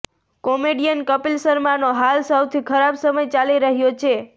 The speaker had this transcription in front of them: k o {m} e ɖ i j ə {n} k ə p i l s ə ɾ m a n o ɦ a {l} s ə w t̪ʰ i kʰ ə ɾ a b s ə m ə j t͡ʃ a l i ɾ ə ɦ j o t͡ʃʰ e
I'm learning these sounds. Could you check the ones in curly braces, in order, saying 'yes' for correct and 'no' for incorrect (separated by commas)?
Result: yes, yes, yes